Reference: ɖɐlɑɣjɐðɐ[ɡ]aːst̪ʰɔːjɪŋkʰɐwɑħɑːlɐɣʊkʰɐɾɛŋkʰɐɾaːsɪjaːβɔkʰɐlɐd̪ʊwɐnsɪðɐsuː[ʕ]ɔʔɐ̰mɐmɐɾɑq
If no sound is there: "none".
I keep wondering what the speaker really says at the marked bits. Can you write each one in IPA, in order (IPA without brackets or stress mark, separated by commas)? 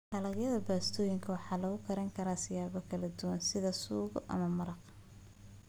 b, ɣ